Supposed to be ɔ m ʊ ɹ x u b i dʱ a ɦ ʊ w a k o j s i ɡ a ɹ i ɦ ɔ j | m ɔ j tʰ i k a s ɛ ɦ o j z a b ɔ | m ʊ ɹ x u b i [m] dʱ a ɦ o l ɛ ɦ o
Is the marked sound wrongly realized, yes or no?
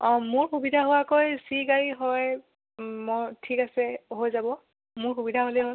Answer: yes